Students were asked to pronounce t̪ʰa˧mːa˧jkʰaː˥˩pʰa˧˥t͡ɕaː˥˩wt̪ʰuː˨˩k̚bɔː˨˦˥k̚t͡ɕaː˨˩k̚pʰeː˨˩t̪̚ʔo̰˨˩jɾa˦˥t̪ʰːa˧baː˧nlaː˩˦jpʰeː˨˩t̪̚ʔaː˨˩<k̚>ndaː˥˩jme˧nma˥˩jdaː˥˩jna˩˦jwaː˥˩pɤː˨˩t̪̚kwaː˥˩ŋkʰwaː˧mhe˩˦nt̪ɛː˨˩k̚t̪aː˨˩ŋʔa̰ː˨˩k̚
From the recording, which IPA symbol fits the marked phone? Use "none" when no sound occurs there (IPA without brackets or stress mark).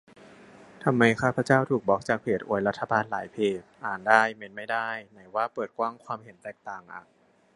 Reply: none